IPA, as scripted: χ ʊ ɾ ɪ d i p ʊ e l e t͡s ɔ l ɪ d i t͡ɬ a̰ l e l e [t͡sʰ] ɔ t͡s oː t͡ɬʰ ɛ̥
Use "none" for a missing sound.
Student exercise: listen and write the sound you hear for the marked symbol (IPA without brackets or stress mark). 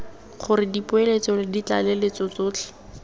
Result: t͡s